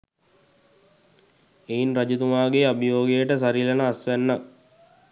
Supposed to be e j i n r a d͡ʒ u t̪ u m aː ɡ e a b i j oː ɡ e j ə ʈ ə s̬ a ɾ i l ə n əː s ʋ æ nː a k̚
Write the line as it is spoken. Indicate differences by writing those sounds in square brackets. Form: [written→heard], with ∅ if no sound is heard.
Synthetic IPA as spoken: e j i n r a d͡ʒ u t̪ u m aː ɡ e a b i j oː ɡ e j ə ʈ ə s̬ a ɾ i l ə n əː s ʋ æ nː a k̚